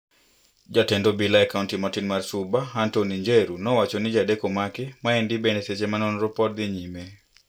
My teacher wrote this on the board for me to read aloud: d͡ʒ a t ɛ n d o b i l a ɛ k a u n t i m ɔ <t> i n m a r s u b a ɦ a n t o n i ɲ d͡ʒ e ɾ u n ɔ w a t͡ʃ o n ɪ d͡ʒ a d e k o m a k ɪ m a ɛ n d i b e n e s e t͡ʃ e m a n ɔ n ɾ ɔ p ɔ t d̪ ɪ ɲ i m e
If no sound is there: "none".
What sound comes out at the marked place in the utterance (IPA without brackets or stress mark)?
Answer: t